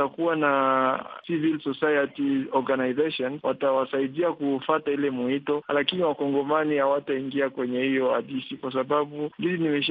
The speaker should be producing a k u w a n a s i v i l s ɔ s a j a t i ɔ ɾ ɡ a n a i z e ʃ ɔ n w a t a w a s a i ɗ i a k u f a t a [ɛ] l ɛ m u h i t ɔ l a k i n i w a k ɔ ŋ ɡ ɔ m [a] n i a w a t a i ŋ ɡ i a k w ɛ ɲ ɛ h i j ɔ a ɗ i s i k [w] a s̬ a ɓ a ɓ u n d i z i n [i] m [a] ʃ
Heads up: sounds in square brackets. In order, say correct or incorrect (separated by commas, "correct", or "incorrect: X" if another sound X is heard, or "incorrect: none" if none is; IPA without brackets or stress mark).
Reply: incorrect: i, correct, correct, correct, incorrect: ɛ